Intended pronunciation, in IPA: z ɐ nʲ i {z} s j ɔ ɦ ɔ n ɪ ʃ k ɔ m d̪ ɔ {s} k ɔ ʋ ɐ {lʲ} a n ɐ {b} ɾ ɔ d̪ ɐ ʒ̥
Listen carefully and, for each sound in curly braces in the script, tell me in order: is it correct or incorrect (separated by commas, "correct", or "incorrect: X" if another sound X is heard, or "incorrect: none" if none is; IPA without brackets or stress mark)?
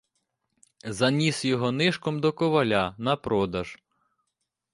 incorrect: none, incorrect: none, correct, incorrect: p